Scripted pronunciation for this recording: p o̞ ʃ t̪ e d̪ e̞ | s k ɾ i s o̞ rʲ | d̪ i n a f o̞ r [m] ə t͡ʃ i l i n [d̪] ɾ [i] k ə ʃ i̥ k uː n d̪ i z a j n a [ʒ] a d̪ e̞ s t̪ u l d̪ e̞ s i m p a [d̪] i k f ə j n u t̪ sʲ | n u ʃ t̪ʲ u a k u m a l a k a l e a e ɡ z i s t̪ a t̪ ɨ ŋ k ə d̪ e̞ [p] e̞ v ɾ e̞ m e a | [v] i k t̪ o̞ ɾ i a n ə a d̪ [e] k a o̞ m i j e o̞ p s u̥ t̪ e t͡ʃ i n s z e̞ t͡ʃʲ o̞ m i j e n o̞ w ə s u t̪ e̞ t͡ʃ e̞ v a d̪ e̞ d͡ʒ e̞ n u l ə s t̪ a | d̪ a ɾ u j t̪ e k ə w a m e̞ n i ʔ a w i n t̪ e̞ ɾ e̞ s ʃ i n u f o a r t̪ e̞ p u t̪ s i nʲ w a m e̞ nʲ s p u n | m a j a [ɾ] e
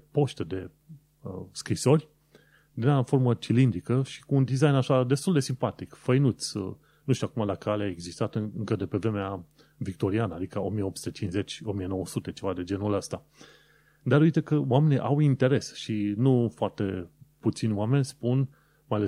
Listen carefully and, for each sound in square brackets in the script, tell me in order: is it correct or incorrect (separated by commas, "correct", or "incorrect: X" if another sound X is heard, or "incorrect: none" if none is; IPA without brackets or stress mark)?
correct, correct, correct, incorrect: ʃ, incorrect: t̪, correct, correct, incorrect: i, incorrect: l